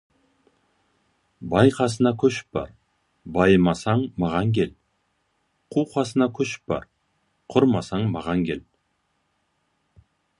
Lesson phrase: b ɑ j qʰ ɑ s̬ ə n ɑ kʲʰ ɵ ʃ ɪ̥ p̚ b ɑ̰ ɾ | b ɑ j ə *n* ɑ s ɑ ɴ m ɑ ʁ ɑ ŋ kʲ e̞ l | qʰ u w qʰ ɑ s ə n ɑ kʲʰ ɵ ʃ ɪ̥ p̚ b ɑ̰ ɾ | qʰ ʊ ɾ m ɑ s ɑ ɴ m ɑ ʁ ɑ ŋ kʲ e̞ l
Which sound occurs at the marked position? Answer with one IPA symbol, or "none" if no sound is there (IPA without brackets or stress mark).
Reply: m